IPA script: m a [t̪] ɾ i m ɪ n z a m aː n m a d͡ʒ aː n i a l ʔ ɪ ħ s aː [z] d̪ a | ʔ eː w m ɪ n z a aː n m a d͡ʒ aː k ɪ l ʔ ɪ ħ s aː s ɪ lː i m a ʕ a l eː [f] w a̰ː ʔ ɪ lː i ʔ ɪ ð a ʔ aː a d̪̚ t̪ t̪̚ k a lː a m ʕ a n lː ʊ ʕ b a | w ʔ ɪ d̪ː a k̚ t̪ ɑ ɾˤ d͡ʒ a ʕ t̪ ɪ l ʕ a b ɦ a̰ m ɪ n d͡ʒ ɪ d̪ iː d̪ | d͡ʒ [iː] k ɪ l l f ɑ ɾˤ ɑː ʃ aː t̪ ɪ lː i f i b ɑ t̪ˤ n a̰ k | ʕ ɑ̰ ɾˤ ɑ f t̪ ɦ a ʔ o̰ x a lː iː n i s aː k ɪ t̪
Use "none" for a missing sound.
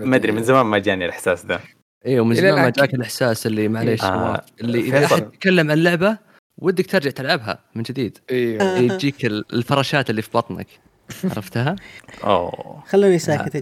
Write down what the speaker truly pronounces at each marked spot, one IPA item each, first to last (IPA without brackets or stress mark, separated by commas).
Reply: d̪, s, ʃ, iː